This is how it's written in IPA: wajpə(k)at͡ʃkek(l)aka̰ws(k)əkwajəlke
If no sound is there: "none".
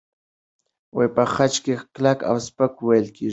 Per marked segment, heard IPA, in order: x, l, p

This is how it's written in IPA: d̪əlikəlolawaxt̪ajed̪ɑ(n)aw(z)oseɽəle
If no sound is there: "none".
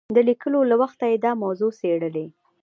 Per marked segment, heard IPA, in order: m, z

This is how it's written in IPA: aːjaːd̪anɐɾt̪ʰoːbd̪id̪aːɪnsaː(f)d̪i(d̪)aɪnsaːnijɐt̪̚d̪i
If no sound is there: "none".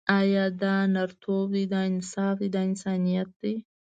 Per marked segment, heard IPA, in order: f, d̪

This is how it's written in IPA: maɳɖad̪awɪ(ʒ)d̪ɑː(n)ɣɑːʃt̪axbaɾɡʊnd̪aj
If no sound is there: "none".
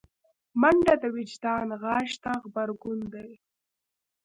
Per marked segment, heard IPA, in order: d͡ʒ, n

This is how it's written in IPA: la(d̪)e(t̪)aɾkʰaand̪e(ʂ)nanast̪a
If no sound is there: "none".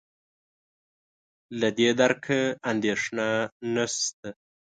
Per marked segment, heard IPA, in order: d̪, d̪, ʂ

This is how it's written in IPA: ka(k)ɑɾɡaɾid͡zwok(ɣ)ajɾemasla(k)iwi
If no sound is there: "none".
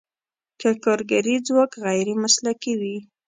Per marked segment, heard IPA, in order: k, ɣ, k

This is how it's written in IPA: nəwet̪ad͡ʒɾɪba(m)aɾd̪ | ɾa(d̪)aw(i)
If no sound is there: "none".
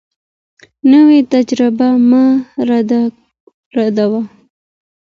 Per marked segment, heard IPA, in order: m, d̪, a

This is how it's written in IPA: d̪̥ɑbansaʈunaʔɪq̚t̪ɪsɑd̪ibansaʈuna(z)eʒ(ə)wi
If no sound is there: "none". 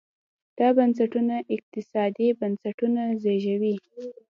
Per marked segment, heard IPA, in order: z, a

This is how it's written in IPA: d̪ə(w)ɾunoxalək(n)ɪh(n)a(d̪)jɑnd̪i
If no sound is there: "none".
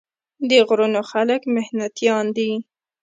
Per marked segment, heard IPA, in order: ɣ, m, n, t̪

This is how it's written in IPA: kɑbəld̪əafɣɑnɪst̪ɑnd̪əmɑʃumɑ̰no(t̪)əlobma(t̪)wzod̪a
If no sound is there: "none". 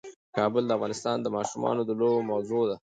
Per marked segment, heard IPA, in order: d̪, none

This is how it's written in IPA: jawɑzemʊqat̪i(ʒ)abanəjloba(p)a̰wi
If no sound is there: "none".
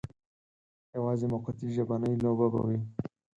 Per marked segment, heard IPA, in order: ʒ, b

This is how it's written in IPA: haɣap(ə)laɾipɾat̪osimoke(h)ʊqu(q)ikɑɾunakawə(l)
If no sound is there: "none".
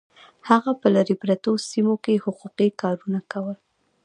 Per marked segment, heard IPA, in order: ə, h, q, l

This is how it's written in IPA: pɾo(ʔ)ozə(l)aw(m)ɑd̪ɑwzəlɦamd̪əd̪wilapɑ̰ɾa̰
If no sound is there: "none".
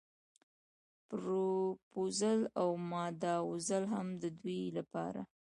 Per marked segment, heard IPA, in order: p, l, m

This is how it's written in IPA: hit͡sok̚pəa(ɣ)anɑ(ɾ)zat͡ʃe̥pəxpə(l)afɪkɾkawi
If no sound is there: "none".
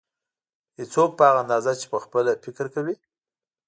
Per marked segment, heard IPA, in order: ɣ, none, l

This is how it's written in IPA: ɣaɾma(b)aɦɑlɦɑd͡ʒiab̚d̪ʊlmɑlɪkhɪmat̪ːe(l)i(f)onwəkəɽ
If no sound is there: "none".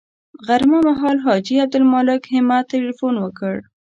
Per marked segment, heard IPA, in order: m, l, f

